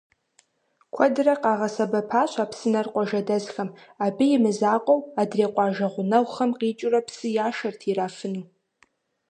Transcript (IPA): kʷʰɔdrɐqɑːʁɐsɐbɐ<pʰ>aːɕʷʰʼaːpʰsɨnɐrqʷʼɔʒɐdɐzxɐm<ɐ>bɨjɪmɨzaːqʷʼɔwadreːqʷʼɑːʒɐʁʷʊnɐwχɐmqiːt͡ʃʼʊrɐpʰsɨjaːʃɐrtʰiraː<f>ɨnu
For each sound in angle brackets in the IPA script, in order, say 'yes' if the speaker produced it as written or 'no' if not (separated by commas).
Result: yes, no, yes